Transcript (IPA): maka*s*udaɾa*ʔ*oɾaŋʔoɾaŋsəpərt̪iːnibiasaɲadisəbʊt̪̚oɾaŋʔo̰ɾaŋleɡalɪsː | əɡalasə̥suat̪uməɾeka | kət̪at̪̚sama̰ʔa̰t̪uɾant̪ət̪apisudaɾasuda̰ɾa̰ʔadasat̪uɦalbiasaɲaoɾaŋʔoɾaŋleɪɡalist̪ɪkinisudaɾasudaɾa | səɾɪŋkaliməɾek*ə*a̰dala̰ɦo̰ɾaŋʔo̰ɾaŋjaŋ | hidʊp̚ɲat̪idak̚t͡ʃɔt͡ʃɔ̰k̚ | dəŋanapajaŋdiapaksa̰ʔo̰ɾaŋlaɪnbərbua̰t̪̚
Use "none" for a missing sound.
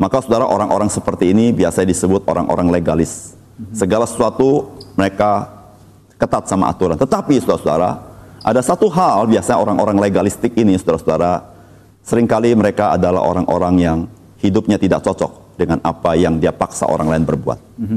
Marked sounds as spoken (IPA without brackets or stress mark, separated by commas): s, ʔ, a